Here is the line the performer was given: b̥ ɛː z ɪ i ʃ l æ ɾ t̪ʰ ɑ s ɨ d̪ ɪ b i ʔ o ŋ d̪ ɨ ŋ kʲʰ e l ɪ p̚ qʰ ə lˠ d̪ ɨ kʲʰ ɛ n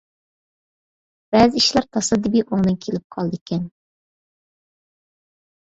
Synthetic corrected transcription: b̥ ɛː z ɪ i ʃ l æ ɾ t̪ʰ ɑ s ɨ d̪ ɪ b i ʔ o ŋ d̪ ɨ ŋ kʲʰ e l ɪ p̚ qʰ ɑ lˠ d̪ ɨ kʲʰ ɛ n